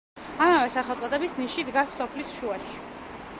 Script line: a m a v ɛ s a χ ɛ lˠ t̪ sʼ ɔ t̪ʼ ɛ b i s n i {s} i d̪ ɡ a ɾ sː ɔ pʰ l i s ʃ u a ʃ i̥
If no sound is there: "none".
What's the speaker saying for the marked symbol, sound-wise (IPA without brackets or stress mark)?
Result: ʃ